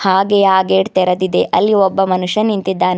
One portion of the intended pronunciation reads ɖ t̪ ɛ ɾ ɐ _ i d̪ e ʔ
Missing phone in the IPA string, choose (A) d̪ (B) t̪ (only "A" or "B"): A